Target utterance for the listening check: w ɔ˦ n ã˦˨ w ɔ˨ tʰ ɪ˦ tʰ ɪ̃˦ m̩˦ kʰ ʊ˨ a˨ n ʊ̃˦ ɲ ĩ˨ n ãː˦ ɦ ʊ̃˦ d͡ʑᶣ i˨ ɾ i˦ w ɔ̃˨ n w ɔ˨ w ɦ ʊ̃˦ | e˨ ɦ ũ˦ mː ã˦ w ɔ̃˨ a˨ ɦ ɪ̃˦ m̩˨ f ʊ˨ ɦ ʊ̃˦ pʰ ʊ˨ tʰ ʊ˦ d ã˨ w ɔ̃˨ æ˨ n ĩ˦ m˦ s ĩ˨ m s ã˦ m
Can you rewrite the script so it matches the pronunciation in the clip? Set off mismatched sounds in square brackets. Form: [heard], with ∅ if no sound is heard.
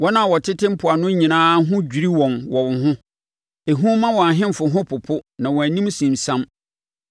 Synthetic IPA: w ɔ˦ n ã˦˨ w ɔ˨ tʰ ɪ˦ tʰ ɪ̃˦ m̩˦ [pʰ] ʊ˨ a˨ n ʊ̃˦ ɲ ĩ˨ n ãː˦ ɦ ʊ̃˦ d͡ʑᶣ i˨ ɾ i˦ w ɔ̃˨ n w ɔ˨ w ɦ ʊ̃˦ | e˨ ɦ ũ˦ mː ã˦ w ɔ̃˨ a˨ ɦ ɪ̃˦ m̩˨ f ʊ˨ ɦ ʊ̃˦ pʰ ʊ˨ [pʰ] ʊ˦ [n] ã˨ w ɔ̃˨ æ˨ n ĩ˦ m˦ s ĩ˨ m s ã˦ m